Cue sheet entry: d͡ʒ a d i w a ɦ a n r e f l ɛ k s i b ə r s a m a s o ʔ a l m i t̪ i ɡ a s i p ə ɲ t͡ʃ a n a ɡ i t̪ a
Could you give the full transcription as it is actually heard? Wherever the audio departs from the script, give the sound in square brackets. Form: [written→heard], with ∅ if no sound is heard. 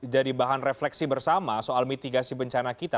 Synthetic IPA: d͡ʒ a d i [w→b] a ɦ a n r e f l ɛ k s i b ə r s a m a s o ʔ a l m i t̪ i ɡ a s i [p→b] ə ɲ t͡ʃ a n a [ɡ→k] i t̪ a